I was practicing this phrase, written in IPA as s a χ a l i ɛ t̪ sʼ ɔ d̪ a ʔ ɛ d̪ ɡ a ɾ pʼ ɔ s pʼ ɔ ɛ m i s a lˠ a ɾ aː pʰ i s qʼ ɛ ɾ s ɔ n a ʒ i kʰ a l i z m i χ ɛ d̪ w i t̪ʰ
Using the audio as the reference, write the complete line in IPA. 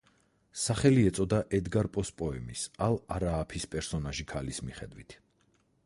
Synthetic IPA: s a χ ɛ l i ɛ t̪ sʼ ɔ d̪ a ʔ ɛ d̪ ɡ a ɾ pʼ ɔ s pʼ ɔ ɛ m i s a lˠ a ɾ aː pʰ i s pʼ ɛ ɾ s ɔ n a ʒ i kʰ a l i s m i χ ɛ d̪ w i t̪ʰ